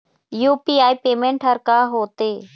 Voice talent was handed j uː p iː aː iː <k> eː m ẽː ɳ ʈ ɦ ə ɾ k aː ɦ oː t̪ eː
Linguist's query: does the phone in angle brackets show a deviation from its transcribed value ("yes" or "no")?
yes